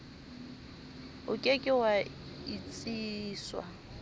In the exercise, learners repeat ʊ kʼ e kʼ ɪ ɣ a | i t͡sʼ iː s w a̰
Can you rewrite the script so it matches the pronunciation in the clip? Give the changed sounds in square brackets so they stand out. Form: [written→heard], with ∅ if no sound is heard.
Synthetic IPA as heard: ʊ kʼ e kʼ ɪ [ɣ→w] a | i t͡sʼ iː s w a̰